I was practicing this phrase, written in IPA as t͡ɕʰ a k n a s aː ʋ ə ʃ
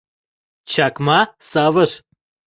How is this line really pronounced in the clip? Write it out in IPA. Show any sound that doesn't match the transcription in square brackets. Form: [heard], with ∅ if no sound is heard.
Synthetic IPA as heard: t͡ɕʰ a k [m] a s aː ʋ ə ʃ

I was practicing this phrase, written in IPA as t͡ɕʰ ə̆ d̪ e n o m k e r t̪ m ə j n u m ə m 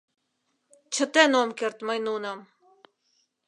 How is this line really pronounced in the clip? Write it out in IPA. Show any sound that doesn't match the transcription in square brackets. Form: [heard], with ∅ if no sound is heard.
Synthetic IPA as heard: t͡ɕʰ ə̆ [t̪] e n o m k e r t̪ m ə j n u [n] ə m

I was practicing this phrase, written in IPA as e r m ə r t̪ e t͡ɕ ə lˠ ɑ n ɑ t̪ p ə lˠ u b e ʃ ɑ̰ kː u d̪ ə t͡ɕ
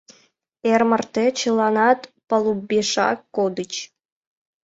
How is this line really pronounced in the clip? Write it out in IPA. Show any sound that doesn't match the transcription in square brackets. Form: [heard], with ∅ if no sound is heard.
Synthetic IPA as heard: e r m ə r t̪ e t͡ɕ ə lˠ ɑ n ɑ t̪ p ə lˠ u b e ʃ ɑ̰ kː [o] d̪ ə t͡ɕ

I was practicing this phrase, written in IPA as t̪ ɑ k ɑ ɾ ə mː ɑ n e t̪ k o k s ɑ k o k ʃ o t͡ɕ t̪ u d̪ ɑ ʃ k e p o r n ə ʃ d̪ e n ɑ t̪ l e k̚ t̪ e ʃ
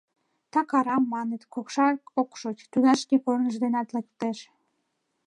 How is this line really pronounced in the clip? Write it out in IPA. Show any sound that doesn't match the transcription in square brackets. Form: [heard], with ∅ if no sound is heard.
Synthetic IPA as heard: t̪ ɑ k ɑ ɾ [ɑ] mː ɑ n e t̪ k o k [ʃ] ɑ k o k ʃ o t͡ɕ t̪ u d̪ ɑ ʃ k e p o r n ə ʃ d̪ e n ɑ t̪ l e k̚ t̪ e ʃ

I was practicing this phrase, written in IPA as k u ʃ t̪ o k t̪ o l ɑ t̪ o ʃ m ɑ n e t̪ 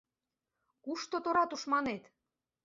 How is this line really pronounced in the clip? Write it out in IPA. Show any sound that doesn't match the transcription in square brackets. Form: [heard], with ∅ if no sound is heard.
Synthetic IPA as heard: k u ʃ t̪ o [∅] t̪ o [ɾ] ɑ t̪ [u] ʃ m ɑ n e t̪

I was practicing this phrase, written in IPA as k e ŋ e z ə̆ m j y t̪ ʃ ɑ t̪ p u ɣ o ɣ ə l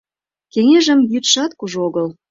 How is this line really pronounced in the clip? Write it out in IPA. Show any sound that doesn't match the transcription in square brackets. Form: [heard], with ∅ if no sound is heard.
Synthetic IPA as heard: k e ŋ e [ʒ] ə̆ m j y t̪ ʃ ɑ t̪ [k] u [ʒ] o ɣ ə l

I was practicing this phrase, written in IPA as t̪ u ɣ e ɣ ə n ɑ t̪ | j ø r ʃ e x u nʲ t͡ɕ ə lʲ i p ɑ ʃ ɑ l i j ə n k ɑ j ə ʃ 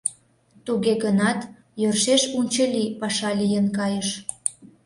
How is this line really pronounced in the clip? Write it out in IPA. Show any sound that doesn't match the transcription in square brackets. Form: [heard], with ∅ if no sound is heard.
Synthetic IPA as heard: t̪ u ɣ e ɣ ə n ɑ t̪ | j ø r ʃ e [ʃ] u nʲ t͡ɕ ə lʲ i p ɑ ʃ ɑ l i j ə n k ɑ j ə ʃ

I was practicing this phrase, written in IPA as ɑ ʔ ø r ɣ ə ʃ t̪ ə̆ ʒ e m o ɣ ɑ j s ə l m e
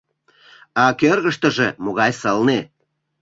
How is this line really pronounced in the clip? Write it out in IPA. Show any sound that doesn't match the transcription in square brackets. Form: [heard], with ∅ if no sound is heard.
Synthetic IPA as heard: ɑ [k] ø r ɣ ə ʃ t̪ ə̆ ʒ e m o ɣ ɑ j s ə l [n] e

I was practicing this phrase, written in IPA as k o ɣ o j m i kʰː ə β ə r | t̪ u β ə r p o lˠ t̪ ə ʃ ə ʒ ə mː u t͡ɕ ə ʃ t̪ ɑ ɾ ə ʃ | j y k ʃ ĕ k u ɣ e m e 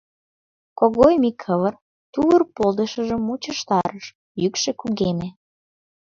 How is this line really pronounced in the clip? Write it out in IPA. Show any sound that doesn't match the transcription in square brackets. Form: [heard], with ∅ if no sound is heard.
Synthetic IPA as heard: k o ɣ o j m i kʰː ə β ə r | t̪ u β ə r p o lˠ [d̪] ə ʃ ə ʒ ə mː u t͡ɕ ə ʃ t̪ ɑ ɾ ə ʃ | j y k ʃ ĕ k u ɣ e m e

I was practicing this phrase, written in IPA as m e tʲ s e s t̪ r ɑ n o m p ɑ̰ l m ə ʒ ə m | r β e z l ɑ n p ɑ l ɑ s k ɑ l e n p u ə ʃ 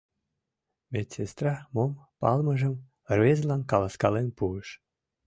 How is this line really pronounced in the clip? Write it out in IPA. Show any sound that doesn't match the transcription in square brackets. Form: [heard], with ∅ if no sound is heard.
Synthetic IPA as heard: m e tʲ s e s t̪ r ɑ [m] o m p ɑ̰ l m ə ʒ ə m | r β e z l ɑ n [k] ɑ l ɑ s k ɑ l e n p u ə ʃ

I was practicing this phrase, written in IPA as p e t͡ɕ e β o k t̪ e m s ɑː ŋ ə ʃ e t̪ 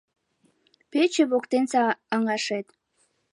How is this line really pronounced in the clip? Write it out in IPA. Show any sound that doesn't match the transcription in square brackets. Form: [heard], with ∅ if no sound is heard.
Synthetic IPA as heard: p e t͡ɕ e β o k t̪ e [n] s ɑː ŋ [ɑ] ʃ e t̪

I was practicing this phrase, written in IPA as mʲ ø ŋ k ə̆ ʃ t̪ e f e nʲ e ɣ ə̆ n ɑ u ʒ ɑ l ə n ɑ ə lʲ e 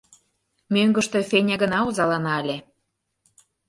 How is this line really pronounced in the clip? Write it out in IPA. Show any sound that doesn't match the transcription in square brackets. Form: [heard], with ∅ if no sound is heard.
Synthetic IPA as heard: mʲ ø ŋ [ɡ] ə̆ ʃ t̪ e f e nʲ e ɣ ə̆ n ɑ u [z] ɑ l [ɑ] n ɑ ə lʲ e

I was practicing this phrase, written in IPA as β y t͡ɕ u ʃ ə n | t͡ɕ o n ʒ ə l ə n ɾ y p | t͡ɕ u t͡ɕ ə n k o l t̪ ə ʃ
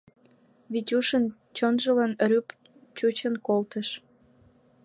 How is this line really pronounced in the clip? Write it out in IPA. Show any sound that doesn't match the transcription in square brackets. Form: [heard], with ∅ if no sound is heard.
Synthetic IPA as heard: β [i] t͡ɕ u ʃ ə n | t͡ɕ o n ʒ ə l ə n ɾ y p | t͡ɕ u t͡ɕ ə n k o l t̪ ə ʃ

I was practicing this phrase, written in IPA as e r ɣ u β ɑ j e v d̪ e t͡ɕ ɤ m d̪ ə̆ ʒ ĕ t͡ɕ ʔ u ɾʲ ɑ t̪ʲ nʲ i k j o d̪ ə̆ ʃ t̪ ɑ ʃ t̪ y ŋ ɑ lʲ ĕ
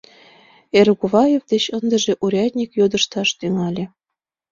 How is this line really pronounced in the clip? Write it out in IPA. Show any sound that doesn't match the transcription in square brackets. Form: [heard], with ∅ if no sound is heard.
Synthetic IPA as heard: e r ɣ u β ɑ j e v d̪ e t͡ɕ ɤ [n] d̪ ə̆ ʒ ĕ [∅] ʔ u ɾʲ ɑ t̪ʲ nʲ i k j o d̪ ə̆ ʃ t̪ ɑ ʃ t̪ y ŋ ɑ lʲ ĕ

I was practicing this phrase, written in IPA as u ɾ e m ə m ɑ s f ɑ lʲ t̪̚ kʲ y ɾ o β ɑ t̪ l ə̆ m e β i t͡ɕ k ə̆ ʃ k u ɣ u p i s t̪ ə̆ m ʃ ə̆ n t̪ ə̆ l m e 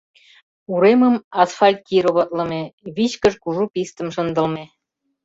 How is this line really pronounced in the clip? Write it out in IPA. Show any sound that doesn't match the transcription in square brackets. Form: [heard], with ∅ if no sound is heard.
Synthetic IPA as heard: u ɾ e m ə m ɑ s f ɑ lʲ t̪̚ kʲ [i] ɾ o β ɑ t̪ l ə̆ m e β i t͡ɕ k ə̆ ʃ k u [ʒ] u p i s t̪ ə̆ m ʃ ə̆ n [d̪] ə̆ l m e

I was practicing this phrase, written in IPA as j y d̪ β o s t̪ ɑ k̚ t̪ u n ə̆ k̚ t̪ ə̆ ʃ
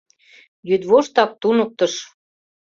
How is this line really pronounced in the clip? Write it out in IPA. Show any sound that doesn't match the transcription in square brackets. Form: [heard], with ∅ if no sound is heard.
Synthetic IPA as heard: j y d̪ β o [ʃ] t̪ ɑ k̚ t̪ u n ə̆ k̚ t̪ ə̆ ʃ

